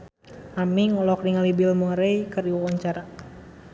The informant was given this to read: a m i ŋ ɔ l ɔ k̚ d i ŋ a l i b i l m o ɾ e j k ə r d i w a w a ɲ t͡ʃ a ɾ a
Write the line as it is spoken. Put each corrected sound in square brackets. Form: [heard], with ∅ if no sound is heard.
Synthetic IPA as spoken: a m i ŋ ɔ l ɔ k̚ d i ŋ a l i b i l m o ɾ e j k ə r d i w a w a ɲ t͡ʃ a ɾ a